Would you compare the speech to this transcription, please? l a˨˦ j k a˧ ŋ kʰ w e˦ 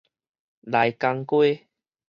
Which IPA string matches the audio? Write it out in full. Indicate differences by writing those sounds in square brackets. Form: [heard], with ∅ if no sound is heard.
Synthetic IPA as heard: l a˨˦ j k a˧ ŋ [k] w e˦

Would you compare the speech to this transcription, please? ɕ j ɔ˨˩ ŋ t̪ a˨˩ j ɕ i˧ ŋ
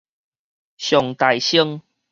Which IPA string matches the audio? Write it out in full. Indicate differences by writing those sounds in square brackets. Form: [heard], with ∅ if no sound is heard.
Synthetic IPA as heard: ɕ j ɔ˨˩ ŋ t̪ a˨˩ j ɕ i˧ ŋ

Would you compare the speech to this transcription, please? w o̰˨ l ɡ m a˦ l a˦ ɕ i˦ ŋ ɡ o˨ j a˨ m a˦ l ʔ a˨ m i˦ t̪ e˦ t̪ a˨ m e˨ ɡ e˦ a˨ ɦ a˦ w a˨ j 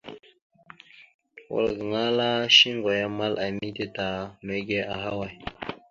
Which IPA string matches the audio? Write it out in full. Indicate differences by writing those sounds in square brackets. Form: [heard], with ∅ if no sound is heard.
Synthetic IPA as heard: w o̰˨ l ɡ [ŋ] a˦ l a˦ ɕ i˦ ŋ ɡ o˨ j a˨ m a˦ l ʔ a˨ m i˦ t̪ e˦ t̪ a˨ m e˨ ɡ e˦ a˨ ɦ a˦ w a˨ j

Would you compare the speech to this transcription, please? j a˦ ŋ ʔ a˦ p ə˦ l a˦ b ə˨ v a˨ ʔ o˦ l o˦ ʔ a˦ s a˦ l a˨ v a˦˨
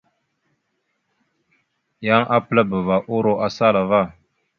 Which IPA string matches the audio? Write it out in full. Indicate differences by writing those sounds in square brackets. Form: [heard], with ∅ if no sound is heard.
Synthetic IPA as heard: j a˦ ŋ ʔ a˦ p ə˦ l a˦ b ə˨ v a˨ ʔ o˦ [ɾ] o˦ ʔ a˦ s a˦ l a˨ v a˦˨

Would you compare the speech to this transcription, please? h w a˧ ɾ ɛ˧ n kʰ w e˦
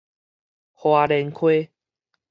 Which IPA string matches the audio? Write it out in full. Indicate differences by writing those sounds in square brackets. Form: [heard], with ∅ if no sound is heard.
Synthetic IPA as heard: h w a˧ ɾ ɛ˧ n kʰ w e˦

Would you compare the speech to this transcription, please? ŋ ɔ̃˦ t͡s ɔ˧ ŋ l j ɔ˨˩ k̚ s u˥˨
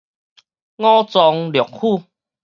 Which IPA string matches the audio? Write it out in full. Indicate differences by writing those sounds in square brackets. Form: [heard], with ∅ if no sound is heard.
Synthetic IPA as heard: ŋ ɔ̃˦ t͡s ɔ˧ ŋ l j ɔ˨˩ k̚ [h] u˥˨

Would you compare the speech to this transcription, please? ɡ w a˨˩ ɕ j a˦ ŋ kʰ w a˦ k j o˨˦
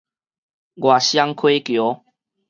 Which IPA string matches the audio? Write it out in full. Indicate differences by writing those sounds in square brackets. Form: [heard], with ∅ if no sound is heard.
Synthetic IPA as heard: ɡ w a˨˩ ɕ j a˦ ŋ kʰ w [e˦] k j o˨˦

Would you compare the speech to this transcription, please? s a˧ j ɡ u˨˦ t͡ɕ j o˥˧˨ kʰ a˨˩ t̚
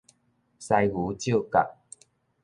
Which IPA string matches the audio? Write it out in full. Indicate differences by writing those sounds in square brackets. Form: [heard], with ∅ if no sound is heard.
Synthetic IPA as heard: s a˧ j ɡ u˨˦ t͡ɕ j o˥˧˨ [k] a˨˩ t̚

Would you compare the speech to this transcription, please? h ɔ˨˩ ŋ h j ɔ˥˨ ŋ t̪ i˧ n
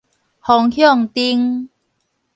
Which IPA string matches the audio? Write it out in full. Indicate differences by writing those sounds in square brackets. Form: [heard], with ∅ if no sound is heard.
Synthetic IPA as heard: h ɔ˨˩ ŋ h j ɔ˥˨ ŋ t̪ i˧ [ŋ]

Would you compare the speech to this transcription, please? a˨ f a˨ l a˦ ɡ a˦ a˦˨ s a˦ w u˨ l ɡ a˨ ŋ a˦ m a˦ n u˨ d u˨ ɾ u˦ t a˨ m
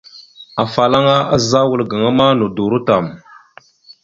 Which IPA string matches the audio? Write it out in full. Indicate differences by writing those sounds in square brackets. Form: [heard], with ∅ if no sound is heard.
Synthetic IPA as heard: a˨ f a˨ l a˦ [ŋ] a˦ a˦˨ [z] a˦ w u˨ l ɡ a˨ ŋ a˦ m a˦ n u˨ d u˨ ɾ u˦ t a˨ m

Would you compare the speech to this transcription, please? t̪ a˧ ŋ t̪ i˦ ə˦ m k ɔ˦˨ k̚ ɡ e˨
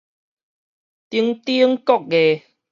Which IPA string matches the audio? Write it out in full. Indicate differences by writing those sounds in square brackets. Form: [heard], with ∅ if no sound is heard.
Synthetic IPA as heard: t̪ [i˧] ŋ t̪ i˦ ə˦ [ŋ] k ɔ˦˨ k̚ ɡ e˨

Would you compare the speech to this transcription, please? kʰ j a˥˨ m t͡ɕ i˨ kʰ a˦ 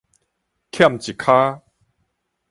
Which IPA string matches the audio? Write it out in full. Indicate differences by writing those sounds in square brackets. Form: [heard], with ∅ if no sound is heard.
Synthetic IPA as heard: kʰ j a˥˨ m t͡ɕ i˨ kʰ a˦

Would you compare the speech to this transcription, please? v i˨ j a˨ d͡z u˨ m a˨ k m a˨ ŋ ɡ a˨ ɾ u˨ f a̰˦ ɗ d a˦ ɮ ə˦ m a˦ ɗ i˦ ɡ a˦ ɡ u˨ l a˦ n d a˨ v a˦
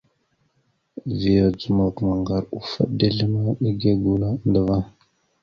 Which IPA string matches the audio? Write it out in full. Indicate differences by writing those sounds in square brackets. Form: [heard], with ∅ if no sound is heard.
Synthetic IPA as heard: v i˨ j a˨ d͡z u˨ m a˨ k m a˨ ŋ ɡ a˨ ɾ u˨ f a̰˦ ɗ d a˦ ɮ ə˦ m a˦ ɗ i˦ ɡ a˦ ɡ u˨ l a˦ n d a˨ v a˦

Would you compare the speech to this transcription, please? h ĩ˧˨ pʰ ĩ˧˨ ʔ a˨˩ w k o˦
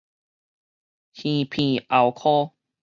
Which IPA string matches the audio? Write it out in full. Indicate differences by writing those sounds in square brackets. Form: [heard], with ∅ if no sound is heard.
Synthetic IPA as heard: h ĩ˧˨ pʰ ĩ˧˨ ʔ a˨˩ w [kʰ] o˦

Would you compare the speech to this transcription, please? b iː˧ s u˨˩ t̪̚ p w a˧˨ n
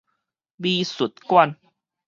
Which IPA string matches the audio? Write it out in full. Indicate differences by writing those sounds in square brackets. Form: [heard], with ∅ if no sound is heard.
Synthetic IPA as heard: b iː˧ s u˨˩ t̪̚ [k] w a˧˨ n

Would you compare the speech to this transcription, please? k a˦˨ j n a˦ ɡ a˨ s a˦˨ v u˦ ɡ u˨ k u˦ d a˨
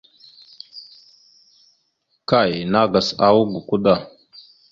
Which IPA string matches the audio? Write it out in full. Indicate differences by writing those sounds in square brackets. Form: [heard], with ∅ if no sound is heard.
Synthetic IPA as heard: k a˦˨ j n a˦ ɡ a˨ s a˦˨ [w] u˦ ɡ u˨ k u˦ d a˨

